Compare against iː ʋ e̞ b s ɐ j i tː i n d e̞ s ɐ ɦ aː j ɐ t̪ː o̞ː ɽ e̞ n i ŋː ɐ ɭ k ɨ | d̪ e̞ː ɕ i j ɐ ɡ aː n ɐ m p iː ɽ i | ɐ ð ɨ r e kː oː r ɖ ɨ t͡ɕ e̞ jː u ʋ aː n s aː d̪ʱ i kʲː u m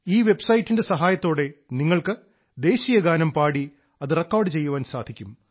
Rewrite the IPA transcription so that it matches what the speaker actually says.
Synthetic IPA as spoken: iː ʋ e̞ b s ɐ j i tː i n d e̞ s ɐ ɦ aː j ɐ t̪ː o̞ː ɽ e̞ n i ŋː ɐ ɭ k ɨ | d̪ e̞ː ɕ i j ɐ ɡ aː n ɐ m p aː ɽ i | ɐ ð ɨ r e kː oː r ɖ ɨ t͡ɕ e̞ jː u ʋ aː n s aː d̪ʱ i kʲː u m